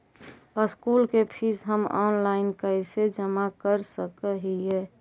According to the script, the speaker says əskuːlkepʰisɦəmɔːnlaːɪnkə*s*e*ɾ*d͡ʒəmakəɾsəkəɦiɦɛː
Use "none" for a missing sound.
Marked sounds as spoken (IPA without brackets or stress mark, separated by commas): s, none